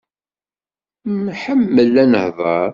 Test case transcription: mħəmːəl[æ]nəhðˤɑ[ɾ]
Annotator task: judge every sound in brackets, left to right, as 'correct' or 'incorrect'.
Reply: correct, correct

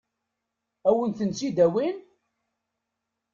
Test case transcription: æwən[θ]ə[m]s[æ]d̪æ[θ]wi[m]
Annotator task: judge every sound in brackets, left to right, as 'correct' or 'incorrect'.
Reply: correct, incorrect: n, incorrect: i, incorrect: none, incorrect: n

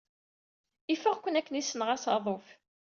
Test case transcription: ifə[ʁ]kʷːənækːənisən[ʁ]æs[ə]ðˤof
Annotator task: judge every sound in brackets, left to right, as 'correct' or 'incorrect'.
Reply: correct, correct, incorrect: ɑ

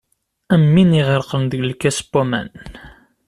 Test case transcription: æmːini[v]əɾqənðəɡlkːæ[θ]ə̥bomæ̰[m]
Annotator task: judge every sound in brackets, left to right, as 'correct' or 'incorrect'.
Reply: incorrect: ʁ, incorrect: s, incorrect: n

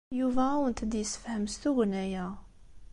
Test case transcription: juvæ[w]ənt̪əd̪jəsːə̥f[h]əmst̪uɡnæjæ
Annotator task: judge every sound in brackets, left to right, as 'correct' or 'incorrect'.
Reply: correct, correct

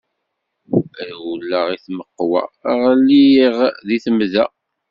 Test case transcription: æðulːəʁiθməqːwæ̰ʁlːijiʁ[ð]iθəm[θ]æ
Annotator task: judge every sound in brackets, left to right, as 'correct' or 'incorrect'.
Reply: correct, incorrect: ð

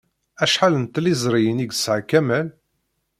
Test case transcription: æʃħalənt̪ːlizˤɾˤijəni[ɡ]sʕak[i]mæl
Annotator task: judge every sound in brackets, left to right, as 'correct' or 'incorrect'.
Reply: correct, incorrect: æ

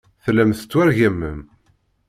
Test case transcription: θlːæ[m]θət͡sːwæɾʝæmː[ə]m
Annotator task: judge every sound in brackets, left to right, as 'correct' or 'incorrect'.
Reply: correct, correct

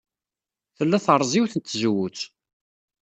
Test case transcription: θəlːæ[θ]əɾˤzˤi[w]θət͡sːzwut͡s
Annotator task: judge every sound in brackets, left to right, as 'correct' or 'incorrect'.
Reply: correct, correct

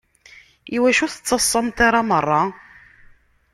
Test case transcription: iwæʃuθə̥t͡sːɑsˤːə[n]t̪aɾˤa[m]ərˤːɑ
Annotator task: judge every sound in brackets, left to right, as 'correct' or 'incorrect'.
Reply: incorrect: m, correct

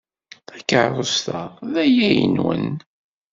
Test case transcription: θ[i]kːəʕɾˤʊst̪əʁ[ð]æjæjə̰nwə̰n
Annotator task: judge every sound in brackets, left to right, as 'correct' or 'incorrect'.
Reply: incorrect: æ, correct

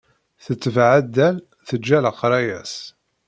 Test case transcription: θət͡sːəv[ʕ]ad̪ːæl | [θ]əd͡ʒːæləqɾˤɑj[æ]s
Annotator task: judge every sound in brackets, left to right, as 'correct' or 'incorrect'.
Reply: correct, correct, correct

